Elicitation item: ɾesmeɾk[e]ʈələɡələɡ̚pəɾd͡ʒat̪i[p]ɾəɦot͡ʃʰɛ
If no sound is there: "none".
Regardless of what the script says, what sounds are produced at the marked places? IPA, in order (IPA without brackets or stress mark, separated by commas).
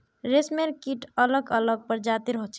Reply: i, none